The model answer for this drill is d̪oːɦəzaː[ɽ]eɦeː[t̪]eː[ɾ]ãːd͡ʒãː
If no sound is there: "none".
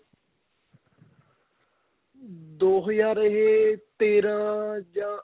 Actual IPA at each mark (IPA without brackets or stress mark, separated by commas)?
ɾ, t̪, ɾ